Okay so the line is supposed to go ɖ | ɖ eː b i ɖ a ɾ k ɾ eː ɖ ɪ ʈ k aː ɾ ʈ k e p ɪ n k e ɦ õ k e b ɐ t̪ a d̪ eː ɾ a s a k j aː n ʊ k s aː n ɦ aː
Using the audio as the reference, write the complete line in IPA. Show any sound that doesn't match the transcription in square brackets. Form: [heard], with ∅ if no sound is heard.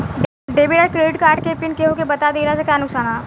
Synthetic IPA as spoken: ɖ | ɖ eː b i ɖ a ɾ k ɾ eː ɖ ɪ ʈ k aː ɾ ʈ k e p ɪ n k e ɦ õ k e b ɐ t̪ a d̪ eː ɾ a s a k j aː n ʊ k s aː n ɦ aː